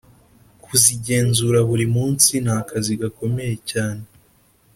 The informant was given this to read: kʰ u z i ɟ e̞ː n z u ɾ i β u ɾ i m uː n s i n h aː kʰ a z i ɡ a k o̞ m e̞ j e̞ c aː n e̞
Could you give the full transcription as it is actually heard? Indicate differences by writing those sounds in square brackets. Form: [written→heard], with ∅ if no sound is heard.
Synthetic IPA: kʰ u z i ɟ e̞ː n z u ɾ [i→a] β u ɾ i m uː n s i n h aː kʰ a z i ɡ a k o̞ m e̞ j e̞ c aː n e̞